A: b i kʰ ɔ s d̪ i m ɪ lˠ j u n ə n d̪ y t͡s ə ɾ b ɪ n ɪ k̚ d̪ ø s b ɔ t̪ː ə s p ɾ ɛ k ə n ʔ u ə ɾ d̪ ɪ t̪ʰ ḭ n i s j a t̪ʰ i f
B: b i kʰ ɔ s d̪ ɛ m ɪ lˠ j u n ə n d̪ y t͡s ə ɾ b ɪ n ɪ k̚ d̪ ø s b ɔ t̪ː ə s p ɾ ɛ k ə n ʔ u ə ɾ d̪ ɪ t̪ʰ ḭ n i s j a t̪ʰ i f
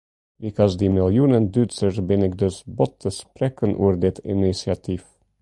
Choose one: A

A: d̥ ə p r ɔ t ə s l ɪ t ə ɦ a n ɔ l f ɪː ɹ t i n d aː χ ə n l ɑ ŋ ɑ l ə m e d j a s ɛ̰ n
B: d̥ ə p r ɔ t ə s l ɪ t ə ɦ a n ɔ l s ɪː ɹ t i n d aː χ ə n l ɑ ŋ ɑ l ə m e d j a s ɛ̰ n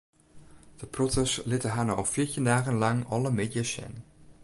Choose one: A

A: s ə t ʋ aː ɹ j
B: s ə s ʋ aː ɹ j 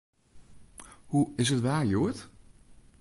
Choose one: A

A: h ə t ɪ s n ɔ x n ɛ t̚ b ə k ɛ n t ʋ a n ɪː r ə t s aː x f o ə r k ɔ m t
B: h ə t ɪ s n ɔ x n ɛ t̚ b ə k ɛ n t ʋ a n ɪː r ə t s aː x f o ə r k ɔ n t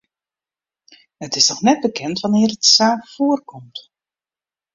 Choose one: A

